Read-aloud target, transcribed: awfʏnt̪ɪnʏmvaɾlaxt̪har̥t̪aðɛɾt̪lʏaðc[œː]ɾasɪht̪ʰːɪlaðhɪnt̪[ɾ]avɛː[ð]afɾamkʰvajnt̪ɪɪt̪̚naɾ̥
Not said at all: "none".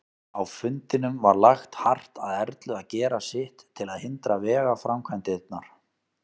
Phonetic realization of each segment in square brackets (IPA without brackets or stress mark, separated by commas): ɛː, ɾ, ɣ